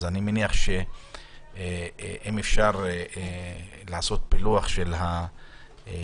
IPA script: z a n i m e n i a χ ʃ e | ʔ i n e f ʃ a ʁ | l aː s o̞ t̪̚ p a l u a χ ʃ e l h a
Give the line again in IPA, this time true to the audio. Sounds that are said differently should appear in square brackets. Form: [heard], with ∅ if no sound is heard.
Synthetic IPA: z a n i m e n i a χ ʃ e | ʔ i [m] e f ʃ a ʁ | l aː s o̞ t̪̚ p [i] l u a χ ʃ e l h a

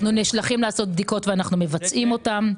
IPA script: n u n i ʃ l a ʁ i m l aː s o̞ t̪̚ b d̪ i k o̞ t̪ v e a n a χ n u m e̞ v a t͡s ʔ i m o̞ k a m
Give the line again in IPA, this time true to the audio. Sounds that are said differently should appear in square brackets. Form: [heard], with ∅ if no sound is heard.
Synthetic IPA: n u n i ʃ l a [χ] i m l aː s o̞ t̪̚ b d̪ i k o̞ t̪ v e a n a χ n u m e̞ v a t͡s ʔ i m o̞ [t] a m

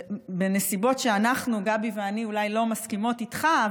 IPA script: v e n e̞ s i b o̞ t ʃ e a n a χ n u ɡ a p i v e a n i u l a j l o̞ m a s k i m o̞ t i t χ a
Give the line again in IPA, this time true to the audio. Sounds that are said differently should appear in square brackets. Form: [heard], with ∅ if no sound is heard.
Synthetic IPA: [b] e n e̞ s i b o̞ t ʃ e a n a χ n u ɡ a [b] i v e a n i u l a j l o̞ m a s k i m o̞ t i t χ a

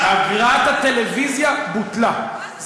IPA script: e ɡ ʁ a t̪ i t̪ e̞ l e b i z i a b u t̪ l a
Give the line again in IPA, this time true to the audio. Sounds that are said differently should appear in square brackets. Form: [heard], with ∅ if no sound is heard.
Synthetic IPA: [a] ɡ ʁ a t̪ [a] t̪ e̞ l e [v] i z [j] a b u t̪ l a

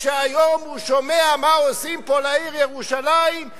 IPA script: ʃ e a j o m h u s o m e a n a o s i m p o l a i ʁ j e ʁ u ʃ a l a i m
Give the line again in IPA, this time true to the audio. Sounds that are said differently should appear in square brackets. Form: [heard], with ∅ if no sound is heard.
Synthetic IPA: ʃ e a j o m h u [ʃ] o m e a [m] a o s i m p o l a i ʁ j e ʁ u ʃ a l a i m

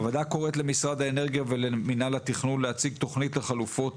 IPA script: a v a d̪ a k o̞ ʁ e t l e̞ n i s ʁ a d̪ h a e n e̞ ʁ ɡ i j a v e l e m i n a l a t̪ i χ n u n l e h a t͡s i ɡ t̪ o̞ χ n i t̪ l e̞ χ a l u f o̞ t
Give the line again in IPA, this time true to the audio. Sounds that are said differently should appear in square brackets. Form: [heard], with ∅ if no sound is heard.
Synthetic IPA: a v a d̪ a k o̞ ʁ e t l e̞ [m] i s ʁ a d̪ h a e n e̞ ʁ ɡ i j a v e l e m i n a l a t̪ i χ n u n l e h a t͡s i ɡ t̪ o̞ χ n i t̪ l e̞ χ a l u f o̞ t

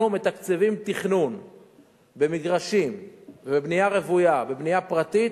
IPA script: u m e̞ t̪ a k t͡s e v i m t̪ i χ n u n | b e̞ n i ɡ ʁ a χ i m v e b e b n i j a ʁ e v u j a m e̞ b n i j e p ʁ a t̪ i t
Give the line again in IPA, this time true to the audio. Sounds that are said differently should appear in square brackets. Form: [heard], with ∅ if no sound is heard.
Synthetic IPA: u m e̞ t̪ a k t͡s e v i m t̪ i χ n u n | b e̞ [m] i ɡ ʁ a [ʃ] i m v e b e b n i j a ʁ e v u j a [b] e̞ b n i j [a] p ʁ a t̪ i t

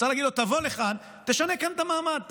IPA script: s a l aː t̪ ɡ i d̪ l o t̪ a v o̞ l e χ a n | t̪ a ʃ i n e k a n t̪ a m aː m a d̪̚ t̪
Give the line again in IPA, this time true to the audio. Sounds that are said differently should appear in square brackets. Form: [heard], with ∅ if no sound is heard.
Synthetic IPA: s a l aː [∅] ɡ i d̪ l o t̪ a v o̞ l e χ a n | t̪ [e] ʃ [a] n e k a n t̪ a m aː m a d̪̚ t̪

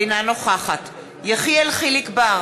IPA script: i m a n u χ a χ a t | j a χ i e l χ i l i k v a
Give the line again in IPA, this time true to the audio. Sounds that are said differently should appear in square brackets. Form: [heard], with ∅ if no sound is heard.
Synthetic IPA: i [n] a n [o] χ a χ a t | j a χ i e l χ i l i k [b] a

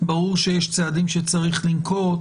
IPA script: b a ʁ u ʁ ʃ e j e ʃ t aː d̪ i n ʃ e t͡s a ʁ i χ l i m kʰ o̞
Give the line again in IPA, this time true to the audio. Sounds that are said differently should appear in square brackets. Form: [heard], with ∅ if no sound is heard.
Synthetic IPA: b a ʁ u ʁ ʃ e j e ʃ [t͡s] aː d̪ i [m] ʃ e t͡s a ʁ i χ l i m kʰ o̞

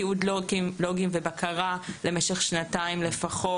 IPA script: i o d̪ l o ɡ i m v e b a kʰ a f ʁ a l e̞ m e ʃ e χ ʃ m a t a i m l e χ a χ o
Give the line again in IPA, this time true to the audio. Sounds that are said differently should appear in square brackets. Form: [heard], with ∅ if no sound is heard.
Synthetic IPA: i [u] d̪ l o ɡ i m v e b a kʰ a [∅] ʁ a l e̞ m e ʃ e χ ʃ [n] a t a i m l e [f] a χ o

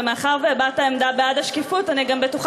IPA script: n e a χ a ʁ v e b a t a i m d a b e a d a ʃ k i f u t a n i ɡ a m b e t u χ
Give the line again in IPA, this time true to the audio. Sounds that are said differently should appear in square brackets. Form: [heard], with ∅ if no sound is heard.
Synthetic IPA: [m] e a χ a ʁ v e b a t a [e] m d a b e a d a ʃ k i f u t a n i ɡ a m b e t u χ

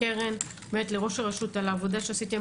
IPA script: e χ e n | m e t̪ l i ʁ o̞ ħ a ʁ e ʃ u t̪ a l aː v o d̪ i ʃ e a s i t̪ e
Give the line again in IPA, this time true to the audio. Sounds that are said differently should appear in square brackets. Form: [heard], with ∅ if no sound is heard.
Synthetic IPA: e [ʁ] e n | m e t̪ l [e] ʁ o̞ [ʃ] a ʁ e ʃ u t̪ a l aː v o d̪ [a] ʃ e a s i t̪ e

